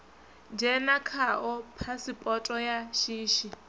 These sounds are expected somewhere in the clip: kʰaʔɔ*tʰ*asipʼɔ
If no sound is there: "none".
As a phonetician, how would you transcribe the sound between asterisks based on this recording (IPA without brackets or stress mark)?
pʰ